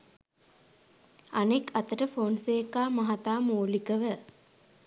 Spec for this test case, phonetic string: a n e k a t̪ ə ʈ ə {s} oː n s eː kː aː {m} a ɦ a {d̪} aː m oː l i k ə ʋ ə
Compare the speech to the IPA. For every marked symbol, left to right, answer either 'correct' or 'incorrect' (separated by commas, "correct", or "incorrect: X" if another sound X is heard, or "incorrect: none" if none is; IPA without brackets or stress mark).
incorrect: f, correct, incorrect: t̪